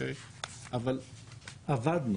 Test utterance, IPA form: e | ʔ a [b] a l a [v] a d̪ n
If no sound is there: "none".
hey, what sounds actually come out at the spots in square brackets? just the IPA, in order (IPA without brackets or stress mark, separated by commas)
v, v